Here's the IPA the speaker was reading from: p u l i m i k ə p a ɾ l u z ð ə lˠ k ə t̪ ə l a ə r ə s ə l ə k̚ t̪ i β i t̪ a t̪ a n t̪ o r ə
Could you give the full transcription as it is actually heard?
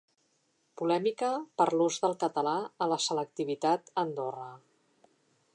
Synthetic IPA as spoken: p u l ɛ m i k ə p ə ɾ l u z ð ə lˠ k ə t̪ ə l a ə l ə s ə l ə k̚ t̪ i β i t̪ a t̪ ə n d̪ o r ə